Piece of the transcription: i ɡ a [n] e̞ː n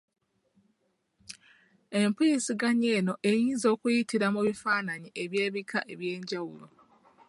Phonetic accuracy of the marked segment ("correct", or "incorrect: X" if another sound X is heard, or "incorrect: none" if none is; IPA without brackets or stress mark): incorrect: ɲ